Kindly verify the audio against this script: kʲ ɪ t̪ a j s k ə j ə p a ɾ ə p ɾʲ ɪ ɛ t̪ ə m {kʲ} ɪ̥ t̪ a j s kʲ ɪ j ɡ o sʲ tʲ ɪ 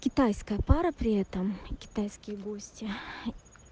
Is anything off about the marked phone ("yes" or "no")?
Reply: no